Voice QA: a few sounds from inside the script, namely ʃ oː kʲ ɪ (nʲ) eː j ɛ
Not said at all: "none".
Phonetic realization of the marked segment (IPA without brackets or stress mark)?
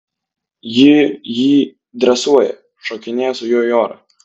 nʲ